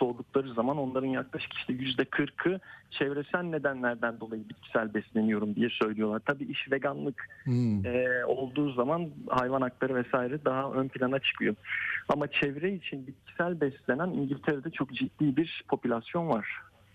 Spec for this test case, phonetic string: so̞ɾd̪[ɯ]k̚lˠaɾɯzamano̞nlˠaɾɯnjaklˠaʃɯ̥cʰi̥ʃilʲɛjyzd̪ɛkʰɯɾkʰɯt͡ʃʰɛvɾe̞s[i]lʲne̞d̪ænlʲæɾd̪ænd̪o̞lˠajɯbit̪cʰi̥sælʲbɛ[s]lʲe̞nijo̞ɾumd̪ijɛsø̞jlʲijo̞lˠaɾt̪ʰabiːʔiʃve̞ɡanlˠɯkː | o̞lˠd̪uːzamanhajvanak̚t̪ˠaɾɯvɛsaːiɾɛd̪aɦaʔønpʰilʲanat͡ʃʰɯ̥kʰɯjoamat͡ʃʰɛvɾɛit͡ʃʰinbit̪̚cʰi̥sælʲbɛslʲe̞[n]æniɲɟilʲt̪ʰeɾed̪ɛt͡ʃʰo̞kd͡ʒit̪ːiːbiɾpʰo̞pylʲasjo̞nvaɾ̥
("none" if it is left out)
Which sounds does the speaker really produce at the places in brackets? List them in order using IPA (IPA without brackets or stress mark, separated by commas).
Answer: u, æ, s, n